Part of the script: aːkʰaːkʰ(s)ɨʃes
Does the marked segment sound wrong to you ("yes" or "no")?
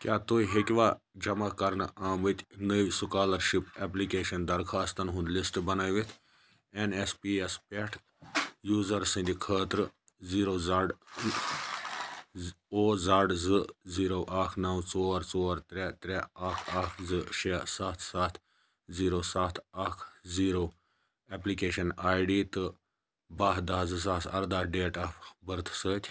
yes